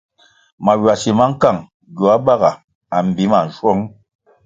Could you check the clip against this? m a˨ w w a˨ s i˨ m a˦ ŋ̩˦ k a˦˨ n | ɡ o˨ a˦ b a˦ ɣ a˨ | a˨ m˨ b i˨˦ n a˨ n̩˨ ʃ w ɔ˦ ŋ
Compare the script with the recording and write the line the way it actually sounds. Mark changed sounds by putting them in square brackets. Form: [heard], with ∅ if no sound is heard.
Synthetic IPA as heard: m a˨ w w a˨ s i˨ m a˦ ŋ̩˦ k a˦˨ [ŋ] | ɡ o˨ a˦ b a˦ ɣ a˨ | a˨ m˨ b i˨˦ [m] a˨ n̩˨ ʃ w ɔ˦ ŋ